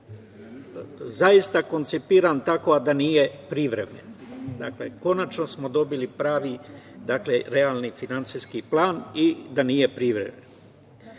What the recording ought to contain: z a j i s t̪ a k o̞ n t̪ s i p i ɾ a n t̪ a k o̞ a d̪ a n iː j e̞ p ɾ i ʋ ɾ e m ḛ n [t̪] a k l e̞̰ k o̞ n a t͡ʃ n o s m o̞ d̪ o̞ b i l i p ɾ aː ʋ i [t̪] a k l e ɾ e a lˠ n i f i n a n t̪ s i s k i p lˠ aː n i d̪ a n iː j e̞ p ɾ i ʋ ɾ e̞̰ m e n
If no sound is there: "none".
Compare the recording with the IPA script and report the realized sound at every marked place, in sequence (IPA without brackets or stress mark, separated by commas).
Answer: d̪, d̪